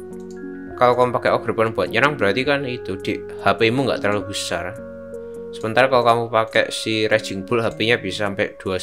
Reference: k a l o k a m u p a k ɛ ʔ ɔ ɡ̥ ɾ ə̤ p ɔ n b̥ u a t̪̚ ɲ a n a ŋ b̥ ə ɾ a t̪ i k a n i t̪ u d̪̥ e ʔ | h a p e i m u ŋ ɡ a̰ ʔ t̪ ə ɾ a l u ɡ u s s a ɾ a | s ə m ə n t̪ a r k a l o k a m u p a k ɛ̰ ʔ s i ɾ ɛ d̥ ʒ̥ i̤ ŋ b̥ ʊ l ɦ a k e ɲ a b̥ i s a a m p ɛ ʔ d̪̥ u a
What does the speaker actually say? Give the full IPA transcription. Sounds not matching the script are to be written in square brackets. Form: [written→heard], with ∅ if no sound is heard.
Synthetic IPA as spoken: k a l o k a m u p a k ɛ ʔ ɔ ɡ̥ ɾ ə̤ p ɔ n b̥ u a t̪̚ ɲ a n a ŋ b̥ ə ɾ a t̪ i k a n i t̪ u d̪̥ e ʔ | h a p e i m u ŋ ɡ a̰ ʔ t̪ ə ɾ a l u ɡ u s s a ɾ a | s ə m ə n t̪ a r k a l o k a m u p a k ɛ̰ ʔ s i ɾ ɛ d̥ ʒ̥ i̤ ŋ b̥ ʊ l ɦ a [k→p] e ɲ a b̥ i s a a m p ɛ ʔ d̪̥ u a